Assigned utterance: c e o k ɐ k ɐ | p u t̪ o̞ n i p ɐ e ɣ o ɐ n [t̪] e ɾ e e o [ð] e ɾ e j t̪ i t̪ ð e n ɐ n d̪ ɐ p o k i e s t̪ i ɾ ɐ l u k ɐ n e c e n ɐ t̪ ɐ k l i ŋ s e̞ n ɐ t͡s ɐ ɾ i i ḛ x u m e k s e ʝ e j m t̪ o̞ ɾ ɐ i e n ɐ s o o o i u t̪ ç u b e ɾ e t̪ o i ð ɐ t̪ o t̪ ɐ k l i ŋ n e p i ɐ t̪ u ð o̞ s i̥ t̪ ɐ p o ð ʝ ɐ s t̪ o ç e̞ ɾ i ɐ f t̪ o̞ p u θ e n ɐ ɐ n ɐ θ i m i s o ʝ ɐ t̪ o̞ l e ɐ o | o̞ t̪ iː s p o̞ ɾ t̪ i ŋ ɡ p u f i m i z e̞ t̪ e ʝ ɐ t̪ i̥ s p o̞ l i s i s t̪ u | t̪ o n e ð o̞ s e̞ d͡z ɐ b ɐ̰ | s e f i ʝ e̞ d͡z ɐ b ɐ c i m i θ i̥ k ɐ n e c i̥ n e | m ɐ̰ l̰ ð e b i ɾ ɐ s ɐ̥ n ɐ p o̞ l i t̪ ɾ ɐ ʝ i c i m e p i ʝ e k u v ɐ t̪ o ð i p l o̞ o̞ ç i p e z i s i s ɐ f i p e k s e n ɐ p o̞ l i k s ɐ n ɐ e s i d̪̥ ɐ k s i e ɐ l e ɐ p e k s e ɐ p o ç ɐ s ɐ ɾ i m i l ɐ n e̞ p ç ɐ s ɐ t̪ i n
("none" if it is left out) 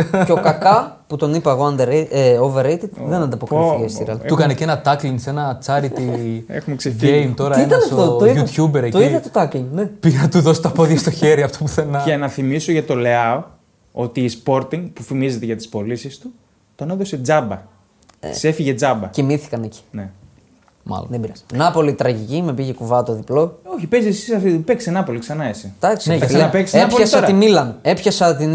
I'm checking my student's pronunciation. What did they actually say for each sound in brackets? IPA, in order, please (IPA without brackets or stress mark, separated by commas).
d̪, v